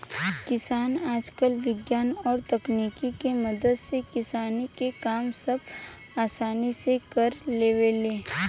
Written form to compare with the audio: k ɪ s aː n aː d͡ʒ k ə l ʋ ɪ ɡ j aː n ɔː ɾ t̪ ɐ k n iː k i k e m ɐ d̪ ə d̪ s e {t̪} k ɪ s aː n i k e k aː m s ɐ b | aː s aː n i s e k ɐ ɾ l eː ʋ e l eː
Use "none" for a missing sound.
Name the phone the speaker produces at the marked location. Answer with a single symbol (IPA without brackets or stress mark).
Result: none